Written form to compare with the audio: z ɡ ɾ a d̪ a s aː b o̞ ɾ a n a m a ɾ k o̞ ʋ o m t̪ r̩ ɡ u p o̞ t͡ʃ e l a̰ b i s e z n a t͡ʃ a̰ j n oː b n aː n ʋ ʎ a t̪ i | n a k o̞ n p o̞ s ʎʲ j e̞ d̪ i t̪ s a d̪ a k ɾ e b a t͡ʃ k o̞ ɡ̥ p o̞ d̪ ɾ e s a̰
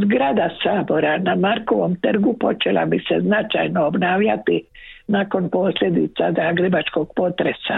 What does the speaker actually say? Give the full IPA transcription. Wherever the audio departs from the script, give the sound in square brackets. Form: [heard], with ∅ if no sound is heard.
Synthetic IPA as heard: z ɡ ɾ a d̪ a s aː b o̞ ɾ a n a m a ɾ k o̞ ʋ o m t̪ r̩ ɡ u p o̞ t͡ʃ e l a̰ b i s e z n a t͡ʃ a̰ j n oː b n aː [∅] ʋ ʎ a t̪ i | n a k o̞ n p o̞ s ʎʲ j e̞ d̪ i t̪ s a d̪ a [ɡ] ɾ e b a t͡ʃ k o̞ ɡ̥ p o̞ [t̪] ɾ e s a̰